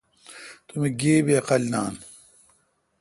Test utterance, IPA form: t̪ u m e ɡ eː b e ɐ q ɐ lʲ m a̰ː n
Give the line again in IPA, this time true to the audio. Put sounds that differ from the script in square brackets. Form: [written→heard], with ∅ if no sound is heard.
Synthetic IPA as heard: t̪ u m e ɡ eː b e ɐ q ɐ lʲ [m→n] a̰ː n